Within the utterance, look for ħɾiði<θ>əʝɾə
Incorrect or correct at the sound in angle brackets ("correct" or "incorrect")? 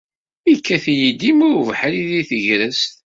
correct